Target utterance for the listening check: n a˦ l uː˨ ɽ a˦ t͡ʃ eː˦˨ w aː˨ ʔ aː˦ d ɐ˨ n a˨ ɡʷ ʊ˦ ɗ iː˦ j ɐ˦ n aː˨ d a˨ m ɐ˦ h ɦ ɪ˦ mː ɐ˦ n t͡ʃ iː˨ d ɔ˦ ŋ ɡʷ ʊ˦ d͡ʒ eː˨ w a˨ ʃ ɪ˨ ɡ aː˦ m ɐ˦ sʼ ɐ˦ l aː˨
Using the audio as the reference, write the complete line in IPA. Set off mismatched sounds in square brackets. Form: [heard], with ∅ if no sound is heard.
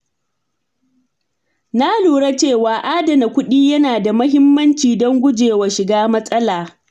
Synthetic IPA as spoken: n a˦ l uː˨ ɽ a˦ t͡ʃ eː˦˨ w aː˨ ʔ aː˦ d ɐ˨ n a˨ [kʷ] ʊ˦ ɗ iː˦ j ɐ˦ n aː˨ d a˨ m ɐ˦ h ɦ ɪ˦ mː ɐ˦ n t͡ʃ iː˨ d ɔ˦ ŋ ɡʷ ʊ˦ d͡ʒ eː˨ w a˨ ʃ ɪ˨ ɡ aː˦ m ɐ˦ sʼ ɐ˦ l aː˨